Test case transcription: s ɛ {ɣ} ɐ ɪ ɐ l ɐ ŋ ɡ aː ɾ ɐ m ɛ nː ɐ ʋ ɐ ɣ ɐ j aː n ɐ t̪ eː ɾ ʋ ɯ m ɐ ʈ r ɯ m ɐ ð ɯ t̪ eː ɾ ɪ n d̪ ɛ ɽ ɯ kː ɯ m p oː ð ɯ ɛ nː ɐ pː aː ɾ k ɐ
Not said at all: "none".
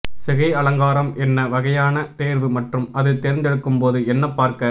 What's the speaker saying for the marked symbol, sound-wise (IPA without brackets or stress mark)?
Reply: ɣ